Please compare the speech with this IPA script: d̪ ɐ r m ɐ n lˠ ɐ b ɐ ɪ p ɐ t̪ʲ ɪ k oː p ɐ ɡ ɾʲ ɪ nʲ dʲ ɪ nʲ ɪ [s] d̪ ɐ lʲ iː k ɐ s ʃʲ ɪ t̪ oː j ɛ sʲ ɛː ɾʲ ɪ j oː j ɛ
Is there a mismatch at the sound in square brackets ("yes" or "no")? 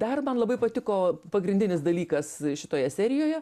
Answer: no